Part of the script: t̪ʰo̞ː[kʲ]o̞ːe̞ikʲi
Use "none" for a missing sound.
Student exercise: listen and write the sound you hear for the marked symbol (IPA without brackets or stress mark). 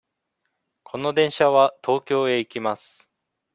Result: kʲ